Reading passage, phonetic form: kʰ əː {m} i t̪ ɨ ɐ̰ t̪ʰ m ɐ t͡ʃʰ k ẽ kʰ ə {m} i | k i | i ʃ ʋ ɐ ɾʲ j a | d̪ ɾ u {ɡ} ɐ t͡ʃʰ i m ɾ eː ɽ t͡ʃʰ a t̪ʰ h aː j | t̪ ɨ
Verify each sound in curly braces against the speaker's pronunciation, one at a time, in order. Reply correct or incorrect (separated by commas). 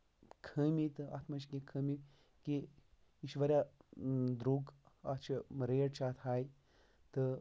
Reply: correct, correct, correct